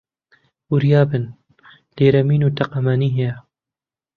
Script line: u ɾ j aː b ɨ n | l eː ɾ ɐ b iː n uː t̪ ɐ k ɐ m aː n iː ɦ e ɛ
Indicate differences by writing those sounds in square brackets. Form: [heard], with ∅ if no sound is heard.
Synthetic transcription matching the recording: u ɾ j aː b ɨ n | l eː ɾ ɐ [m] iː n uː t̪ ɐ [q] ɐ m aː n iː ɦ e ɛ